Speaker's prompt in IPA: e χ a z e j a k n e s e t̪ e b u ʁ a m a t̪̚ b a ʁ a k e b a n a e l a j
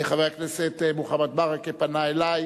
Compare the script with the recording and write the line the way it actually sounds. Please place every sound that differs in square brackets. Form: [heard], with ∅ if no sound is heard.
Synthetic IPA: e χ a [v] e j a k n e s e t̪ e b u [χ] a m a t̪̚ b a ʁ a k e [p] a n a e l a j